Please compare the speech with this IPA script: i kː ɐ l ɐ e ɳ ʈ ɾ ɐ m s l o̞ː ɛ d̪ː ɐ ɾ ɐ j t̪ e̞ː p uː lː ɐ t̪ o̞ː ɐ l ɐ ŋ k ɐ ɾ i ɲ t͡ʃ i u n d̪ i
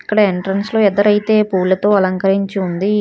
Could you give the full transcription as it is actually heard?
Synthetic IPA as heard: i kː ɐ ɽ ɐ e ɳ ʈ ɾ ɐ n s l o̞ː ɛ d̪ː ɐ ɾ ɐ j t̪ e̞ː p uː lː ɐ t̪ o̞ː ɐ l ɐ ŋ k ɐ ɾ i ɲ t͡ʃ i u n d̪ i